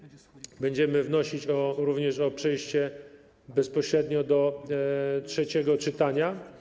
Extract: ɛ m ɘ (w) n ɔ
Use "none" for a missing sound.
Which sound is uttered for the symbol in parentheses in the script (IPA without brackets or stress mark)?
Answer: v